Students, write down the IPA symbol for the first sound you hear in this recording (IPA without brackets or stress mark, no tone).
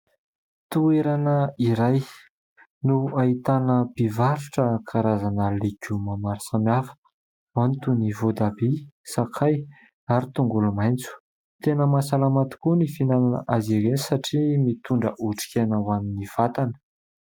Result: t̪